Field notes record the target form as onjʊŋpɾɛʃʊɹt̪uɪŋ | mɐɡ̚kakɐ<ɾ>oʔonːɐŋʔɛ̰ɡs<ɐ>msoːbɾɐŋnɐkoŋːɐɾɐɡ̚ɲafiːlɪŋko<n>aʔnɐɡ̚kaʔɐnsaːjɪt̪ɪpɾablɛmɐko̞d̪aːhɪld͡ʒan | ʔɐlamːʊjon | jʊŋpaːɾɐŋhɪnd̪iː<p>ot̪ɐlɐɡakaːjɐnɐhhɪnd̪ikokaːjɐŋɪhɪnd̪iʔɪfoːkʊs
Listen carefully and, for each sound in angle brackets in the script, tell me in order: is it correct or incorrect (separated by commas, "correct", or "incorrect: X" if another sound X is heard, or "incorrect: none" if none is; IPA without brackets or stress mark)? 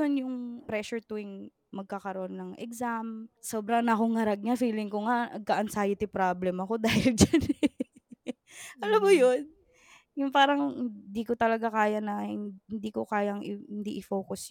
correct, incorrect: a, incorrect: ŋ, incorrect: k